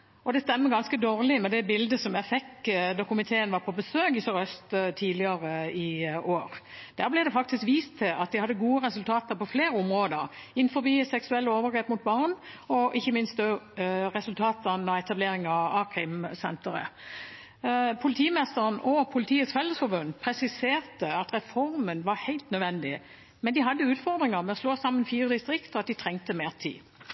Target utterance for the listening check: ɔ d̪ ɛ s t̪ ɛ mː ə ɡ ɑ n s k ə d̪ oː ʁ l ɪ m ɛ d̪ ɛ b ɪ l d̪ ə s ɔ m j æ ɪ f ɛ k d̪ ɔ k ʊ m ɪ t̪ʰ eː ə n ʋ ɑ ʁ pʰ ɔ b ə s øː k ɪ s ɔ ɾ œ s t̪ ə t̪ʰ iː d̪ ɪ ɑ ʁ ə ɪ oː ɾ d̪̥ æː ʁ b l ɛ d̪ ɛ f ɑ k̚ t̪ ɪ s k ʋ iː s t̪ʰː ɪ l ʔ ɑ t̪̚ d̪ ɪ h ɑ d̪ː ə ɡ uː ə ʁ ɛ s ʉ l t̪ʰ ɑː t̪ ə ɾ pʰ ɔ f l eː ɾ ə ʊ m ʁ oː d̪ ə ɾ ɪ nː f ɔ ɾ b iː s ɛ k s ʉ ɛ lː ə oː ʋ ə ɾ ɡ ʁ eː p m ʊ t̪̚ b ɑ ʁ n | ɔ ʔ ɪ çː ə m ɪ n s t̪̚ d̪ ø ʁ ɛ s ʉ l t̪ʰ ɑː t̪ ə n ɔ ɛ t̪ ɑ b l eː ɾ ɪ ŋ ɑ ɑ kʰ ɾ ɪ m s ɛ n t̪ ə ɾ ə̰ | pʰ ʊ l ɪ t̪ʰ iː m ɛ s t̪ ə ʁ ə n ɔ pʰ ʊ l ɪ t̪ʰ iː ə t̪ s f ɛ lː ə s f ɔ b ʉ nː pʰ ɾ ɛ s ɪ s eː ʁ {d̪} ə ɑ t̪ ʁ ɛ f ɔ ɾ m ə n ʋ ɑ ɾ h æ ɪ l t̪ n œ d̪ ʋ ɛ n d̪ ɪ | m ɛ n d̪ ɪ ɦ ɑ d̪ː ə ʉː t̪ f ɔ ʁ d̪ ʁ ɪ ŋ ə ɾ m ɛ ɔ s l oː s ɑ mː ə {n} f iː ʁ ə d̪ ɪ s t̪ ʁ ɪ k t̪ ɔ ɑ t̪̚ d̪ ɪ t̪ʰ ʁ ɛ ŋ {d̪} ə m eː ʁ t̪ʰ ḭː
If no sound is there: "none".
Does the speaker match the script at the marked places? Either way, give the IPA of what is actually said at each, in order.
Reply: t̪, n, t̪

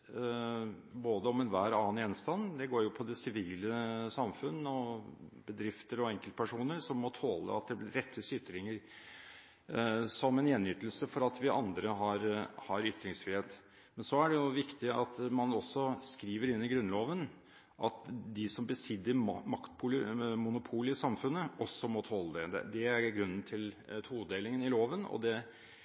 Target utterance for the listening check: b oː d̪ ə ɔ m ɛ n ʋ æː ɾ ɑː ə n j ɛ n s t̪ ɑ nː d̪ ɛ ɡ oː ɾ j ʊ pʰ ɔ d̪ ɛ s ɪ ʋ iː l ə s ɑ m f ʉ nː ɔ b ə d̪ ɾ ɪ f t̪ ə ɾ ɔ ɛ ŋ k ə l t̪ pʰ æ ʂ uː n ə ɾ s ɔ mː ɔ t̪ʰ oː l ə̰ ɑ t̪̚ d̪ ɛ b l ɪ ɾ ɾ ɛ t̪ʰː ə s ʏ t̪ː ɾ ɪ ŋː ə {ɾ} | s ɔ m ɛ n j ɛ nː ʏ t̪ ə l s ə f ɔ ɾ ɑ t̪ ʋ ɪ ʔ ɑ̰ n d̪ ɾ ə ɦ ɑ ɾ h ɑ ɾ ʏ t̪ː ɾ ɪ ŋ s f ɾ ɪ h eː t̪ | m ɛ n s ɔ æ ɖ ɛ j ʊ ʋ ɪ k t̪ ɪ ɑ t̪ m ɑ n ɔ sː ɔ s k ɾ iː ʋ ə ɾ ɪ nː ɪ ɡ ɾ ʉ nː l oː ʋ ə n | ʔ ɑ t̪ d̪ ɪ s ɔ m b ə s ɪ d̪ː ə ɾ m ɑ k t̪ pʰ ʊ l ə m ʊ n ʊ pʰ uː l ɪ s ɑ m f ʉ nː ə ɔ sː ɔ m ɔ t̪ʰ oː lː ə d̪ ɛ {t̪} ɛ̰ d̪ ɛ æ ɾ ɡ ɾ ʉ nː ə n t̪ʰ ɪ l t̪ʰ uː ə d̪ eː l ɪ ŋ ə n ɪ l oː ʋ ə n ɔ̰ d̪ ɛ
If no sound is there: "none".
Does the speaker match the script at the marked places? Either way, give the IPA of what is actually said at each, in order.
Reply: ɾ, d̪

